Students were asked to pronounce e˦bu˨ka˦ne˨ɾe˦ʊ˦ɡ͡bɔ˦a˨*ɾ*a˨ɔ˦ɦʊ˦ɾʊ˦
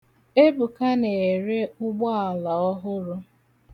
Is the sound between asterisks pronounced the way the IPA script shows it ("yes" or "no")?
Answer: no